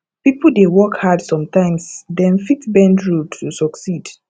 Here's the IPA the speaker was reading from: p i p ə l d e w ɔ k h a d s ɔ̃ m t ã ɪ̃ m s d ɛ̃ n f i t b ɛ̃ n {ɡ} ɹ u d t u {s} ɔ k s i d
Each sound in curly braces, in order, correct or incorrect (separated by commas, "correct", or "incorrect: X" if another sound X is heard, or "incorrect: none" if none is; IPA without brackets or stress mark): incorrect: d, correct